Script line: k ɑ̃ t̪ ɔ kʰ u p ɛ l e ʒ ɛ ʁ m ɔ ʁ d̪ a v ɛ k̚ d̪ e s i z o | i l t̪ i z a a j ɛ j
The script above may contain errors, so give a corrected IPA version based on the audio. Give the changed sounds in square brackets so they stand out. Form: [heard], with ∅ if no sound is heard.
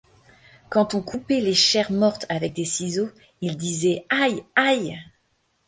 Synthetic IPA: k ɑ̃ t̪ [ɔ̃] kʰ u p ɛ l e [ʃ] ɛ ʁ m ɔ ʁ [t̪] a v ɛ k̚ d̪ e s i z o | i l [d̪] i z [ɛ] a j [a] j